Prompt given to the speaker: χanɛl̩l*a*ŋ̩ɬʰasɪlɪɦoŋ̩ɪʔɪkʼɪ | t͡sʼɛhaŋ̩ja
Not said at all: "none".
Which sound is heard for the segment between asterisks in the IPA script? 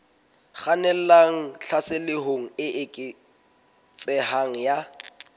a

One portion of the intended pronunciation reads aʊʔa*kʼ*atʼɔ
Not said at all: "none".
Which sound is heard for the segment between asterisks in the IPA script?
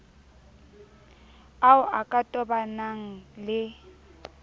kʼ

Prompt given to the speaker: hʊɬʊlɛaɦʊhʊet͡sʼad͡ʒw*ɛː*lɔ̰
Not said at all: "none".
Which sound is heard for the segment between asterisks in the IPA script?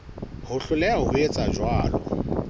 aː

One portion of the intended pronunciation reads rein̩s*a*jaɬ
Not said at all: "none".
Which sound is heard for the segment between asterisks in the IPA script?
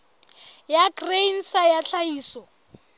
a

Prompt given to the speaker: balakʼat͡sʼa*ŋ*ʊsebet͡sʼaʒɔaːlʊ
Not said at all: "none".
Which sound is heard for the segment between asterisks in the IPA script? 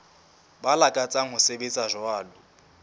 ŋ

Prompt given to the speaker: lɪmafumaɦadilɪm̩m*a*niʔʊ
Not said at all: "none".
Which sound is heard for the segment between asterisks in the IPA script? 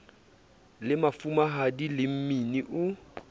i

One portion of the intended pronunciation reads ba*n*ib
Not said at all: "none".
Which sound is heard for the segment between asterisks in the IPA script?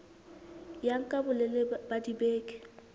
d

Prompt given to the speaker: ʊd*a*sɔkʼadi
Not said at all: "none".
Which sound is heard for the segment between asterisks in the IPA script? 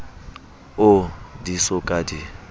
i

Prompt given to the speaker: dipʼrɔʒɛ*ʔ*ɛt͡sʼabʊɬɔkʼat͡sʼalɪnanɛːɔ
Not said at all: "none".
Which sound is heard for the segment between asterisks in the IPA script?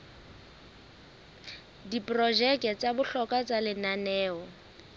k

